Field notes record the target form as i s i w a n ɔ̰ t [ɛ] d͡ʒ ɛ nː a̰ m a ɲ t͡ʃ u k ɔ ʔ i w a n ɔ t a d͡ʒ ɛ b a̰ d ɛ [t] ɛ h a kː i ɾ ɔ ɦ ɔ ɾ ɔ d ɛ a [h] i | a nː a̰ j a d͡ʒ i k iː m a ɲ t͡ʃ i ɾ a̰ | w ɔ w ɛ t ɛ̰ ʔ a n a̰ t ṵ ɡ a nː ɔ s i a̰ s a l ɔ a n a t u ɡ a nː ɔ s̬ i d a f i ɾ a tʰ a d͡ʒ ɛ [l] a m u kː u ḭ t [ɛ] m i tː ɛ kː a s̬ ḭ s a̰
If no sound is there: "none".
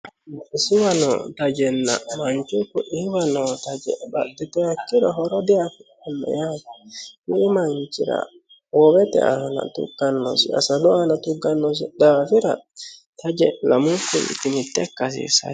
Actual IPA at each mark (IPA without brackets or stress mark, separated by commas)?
a, t, f, l, i